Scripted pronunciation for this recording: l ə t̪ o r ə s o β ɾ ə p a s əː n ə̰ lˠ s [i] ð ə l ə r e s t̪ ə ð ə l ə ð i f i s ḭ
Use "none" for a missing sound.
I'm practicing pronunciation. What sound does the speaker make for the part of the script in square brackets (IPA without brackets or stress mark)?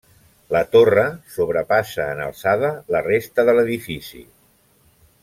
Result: a